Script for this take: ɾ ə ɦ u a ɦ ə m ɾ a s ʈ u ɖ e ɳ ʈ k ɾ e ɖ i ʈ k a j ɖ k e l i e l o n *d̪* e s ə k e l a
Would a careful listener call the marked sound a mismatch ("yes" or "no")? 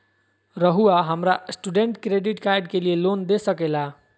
no